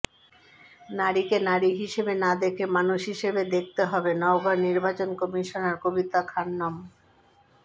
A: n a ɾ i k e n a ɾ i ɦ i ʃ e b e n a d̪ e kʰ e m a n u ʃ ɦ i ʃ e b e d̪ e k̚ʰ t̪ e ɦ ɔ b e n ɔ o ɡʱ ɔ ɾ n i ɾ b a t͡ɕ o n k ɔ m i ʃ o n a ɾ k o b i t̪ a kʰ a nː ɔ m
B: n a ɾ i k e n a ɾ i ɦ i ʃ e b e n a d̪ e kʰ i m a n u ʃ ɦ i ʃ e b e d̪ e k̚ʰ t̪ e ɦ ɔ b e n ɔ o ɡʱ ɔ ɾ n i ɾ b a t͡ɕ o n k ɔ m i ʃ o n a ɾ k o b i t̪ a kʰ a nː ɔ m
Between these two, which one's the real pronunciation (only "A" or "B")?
A